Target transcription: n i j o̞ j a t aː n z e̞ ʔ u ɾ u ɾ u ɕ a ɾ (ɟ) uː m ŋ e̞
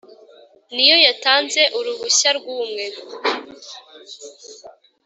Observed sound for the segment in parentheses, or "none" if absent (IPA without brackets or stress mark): ɡ